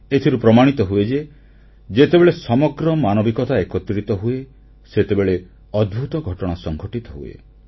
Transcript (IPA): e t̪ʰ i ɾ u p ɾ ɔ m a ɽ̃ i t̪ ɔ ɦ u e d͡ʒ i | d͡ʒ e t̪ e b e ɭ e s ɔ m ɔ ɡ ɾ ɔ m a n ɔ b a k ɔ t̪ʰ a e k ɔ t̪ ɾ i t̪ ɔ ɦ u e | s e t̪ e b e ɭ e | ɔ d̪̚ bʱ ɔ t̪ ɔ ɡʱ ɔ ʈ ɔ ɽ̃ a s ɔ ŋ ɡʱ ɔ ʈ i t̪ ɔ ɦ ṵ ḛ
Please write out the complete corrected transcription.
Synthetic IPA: e t̪ʰ i ɾ u p ɾ ɔ m a ɽ̃ i t̪ ɔ ɦ u e d͡ʒ e | d͡ʒ e t̪ e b e ɭ e s ɔ m ɔ ɡ ɾ ɔ m a n ɔ b i k ɔ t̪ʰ a e k ɔ t̪ ɾ i t̪ ɔ ɦ u e | s e t̪ e b e ɭ e | ɔ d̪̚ bʱ u t̪ ɔ ɡʱ ɔ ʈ ɔ ɽ̃ a s ɔ ŋ ɡʱ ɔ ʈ i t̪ ɔ ɦ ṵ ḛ